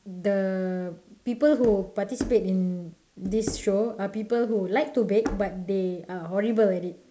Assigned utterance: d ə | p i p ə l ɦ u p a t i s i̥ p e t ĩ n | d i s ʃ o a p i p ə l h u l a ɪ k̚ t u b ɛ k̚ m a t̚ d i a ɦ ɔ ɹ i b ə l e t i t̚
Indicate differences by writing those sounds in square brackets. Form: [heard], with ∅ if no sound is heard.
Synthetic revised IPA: d ə | p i p ə l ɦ u p a t i s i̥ p e t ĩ n | d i s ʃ o a p i p ə l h u l a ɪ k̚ t u b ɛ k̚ [b] a t̚ d [e] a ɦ ɔ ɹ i b ə l [ɛ] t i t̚